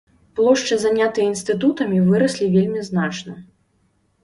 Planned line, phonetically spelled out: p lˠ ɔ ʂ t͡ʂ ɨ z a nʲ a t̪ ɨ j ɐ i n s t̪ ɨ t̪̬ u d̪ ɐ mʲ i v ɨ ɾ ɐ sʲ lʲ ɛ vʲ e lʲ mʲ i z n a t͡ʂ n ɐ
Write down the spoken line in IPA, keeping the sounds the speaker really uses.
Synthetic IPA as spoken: p lˠ ɔ ʂ t͡ʂ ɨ z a nʲ a t̪ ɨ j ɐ i n s t̪ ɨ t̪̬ u t̪ ɐ mʲ i v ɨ ɾ ɐ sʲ lʲ i vʲ e lʲ mʲ i z n a t͡ʂ n ɐ